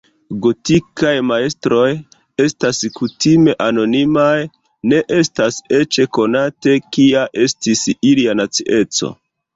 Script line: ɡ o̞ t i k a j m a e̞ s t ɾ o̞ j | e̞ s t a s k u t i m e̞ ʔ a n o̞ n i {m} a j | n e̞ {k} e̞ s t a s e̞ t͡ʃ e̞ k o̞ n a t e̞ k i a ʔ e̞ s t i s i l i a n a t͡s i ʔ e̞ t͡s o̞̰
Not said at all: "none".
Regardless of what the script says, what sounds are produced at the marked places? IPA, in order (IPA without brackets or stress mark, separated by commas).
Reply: m, ʔ